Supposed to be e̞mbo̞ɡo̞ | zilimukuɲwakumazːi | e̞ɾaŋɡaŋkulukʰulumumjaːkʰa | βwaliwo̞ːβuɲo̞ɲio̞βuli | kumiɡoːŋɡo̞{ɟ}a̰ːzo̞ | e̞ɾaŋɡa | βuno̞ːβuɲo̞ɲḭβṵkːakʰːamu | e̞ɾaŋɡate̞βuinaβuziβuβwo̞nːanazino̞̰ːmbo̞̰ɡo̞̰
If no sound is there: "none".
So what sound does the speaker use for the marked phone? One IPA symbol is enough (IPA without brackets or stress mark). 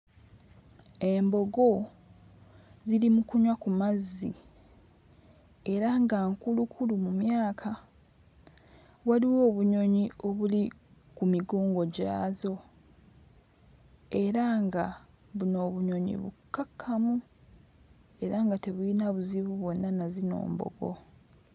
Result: ɟ